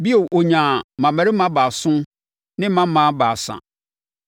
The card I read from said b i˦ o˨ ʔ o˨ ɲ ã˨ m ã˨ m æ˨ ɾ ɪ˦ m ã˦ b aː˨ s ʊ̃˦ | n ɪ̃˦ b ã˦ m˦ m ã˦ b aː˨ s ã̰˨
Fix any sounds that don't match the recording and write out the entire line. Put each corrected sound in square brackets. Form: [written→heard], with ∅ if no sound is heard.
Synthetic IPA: b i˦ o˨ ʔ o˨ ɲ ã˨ m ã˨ m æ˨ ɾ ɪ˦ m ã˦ b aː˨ s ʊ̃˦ | n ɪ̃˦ [b→m] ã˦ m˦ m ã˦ b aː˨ s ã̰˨

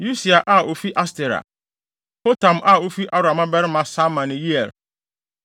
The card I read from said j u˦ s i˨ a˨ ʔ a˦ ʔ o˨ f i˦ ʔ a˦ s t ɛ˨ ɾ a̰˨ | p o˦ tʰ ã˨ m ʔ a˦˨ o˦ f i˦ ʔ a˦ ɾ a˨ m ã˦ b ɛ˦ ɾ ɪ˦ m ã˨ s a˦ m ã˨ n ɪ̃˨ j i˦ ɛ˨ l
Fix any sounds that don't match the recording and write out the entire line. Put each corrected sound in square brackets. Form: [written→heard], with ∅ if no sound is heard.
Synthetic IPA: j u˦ s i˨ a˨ ʔ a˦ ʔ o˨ f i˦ ʔ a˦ s t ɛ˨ ɾ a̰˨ | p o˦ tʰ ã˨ m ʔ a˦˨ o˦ f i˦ ʔ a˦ ɾ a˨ m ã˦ b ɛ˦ ɾ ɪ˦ m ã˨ s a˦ m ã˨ n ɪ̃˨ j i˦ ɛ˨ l

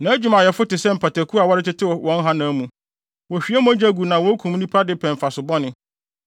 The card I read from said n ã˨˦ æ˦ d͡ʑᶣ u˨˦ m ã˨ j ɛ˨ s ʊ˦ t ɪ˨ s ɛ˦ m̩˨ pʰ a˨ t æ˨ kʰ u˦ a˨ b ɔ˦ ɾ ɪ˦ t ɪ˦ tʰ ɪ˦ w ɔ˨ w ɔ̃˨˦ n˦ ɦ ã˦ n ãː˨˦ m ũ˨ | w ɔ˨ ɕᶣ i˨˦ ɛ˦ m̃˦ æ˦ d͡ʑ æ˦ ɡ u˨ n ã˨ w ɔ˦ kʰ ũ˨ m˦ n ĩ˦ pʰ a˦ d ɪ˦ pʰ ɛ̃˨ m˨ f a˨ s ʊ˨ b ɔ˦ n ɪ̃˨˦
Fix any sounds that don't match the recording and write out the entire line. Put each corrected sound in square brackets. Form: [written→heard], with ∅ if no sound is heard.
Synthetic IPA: n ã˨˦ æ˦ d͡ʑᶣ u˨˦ m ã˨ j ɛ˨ [s→f] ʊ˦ t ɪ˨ s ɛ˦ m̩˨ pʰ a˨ t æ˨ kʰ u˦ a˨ [b→w] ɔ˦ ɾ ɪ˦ t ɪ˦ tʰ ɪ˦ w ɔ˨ w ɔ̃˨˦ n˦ ɦ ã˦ n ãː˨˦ m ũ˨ | w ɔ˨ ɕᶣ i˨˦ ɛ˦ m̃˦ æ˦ d͡ʑ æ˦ ɡ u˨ n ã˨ w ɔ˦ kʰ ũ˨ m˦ n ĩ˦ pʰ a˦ d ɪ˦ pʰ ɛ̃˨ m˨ f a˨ s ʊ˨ b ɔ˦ n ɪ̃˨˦

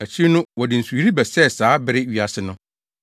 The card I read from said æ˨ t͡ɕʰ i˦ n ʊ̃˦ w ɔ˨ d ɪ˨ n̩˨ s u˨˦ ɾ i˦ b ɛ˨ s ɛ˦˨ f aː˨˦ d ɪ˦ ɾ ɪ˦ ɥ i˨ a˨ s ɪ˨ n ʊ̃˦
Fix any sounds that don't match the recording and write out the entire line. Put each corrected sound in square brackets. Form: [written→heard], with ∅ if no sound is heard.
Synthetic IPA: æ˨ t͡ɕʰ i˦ n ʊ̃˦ w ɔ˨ d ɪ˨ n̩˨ s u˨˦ ɾ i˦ b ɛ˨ s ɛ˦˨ [f→s] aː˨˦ [d→b] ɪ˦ ɾ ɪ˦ ɥ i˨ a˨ s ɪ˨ n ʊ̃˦

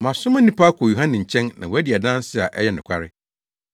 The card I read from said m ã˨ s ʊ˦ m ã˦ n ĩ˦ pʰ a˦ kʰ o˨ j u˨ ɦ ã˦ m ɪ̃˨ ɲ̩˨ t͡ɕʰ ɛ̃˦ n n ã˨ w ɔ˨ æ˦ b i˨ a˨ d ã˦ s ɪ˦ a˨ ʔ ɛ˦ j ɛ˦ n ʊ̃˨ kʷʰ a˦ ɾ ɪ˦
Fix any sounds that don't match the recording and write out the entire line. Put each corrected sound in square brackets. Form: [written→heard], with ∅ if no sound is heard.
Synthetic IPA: m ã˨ s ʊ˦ m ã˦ n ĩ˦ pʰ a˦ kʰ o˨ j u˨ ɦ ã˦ [m→n] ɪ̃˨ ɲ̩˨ t͡ɕʰ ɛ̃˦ n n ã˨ w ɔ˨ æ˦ [b→d] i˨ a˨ d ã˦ s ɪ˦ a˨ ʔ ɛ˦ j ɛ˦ n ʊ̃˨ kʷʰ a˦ ɾ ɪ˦

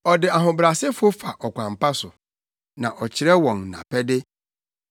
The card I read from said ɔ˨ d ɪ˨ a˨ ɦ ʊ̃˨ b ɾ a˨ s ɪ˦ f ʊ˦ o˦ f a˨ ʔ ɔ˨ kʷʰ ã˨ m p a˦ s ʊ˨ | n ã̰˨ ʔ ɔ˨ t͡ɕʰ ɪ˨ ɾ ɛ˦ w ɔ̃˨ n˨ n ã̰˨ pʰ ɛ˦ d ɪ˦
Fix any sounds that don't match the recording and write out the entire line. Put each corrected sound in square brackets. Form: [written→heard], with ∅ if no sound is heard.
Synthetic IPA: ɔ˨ d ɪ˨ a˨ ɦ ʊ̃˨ b ɾ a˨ s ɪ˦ f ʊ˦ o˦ f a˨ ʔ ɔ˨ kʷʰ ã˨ m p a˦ s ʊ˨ | n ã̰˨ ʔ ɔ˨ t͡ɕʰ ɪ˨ ɾ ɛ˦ w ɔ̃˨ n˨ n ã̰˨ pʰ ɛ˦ d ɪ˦

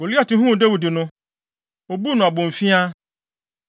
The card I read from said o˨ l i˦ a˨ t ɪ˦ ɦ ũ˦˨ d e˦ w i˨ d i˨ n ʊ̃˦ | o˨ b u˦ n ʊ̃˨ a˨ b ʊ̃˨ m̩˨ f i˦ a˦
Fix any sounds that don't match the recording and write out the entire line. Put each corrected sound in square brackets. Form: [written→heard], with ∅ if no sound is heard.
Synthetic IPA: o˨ l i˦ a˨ t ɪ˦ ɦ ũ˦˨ d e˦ w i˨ d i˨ n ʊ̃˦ | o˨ b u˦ n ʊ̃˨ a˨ b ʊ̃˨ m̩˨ f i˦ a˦

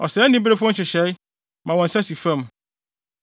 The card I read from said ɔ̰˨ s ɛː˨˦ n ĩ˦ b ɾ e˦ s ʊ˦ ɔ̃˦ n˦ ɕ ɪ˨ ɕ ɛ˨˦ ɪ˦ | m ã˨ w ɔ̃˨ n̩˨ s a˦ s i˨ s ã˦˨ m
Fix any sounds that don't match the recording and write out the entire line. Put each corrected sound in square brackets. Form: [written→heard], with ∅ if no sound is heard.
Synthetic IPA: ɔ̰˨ s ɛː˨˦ n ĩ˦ b ɾ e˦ [s→f] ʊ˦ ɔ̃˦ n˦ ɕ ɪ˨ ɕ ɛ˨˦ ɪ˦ | m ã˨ w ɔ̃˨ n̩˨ s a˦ s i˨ [s→f] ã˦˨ m

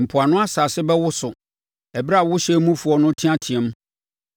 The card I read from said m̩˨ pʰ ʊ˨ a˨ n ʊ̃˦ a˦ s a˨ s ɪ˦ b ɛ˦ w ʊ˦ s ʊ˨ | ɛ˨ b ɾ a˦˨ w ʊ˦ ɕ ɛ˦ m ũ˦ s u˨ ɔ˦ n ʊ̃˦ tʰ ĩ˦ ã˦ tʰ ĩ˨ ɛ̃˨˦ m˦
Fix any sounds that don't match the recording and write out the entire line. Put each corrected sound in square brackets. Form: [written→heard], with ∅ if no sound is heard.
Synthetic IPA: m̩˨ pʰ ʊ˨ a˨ n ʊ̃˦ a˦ s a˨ s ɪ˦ b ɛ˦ w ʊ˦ s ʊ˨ | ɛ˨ b ɾ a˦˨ w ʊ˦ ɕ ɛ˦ m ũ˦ [s→f] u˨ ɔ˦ n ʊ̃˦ tʰ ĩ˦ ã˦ tʰ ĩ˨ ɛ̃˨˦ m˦

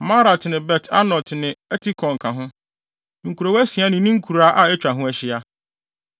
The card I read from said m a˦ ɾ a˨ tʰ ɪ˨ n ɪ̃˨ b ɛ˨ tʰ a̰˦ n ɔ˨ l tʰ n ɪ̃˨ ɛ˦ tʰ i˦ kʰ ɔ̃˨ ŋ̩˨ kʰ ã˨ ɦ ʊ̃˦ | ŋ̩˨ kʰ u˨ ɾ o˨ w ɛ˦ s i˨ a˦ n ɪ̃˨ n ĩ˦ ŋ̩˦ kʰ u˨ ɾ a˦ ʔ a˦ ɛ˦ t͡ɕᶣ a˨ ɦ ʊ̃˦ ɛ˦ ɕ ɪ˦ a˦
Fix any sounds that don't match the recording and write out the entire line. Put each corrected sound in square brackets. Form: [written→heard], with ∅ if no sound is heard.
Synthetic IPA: m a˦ ɾ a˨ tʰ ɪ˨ n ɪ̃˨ b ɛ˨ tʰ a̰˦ n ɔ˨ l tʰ n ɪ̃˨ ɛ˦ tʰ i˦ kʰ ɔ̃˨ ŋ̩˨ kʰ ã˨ ɦ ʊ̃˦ | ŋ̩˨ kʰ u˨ ɾ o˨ w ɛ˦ s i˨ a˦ n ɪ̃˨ n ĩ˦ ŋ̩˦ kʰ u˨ ɾ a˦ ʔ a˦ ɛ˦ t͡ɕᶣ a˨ ɦ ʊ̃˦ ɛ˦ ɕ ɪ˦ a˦

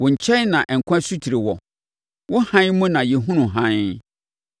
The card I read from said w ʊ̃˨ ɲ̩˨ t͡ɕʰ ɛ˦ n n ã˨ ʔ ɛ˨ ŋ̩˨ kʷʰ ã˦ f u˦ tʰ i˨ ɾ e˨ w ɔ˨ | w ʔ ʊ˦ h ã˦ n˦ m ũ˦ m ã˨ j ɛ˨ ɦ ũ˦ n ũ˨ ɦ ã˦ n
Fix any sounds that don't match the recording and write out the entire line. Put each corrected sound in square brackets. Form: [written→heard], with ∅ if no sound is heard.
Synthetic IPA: w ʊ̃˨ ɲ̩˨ t͡ɕʰ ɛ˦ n n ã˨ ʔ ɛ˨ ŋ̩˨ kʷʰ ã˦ [f→s] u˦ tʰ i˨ ɾ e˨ w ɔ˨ | w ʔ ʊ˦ h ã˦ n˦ m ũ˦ [m→n] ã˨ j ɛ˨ ɦ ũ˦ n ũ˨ ɦ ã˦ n

